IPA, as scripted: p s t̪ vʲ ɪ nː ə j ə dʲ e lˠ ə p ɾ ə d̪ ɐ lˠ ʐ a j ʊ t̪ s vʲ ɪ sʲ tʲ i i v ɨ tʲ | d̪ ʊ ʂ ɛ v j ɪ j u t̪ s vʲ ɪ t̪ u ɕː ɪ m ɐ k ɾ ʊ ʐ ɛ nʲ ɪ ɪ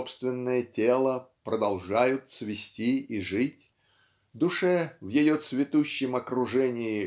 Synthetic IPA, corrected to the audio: p s t̪ vʲ ɪ nː ə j ə tʲ e lˠ ə p ɾ ə d̪ ɐ lˠ ʐ a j ʊ t̪ s vʲ ɪ sʲ tʲ i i ʐ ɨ tʲ | d̪ ʊ ʂ ɛ v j ɪ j o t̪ s vʲ ɪ t̪ u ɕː ɪ m ɐ k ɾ ʊ ʐ ɛ nʲ ɪ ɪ